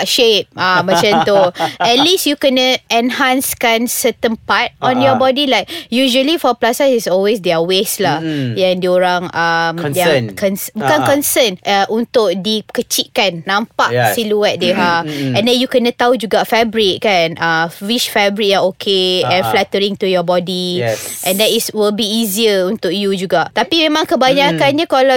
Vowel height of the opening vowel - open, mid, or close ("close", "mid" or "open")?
mid